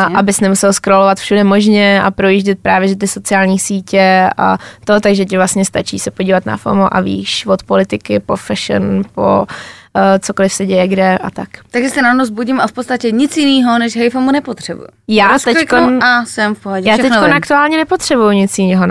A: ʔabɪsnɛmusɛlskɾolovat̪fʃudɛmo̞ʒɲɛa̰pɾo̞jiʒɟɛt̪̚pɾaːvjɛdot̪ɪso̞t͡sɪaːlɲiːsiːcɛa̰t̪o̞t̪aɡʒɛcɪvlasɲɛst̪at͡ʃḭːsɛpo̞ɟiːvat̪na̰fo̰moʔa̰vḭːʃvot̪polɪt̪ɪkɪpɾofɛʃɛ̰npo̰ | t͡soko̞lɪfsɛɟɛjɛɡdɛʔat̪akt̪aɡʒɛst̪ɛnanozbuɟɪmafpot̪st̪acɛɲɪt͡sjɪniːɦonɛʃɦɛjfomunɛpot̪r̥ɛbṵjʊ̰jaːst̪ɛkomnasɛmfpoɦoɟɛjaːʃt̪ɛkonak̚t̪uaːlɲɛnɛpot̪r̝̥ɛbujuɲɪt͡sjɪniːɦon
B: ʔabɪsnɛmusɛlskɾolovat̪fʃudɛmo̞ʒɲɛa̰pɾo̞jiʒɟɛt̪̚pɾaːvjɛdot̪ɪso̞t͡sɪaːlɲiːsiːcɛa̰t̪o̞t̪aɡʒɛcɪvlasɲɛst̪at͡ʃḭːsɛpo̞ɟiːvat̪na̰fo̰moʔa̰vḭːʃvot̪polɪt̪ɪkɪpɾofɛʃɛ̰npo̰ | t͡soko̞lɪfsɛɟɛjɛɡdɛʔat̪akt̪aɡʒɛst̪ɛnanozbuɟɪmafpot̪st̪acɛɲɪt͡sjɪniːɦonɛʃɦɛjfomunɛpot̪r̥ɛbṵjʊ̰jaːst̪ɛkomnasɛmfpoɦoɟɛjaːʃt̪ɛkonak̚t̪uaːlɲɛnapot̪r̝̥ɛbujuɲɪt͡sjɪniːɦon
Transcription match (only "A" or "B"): A